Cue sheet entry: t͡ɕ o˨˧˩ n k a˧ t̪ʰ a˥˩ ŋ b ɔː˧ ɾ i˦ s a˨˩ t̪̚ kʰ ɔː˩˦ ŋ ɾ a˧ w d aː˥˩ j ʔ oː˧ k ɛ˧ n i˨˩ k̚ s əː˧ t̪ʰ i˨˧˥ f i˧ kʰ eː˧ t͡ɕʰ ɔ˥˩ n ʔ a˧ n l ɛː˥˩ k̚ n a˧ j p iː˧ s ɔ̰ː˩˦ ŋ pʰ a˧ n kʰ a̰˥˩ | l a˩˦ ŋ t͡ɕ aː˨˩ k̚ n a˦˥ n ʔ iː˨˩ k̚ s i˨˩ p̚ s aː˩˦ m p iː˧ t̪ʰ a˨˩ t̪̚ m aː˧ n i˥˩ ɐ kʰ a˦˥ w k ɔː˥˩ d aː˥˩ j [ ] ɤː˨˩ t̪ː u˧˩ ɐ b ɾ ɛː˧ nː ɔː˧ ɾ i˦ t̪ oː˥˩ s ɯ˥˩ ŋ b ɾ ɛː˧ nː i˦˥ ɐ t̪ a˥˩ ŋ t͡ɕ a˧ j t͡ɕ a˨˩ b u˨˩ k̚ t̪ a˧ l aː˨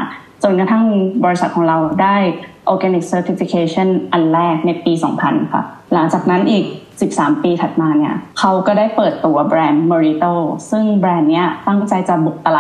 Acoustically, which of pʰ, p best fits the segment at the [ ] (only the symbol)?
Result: p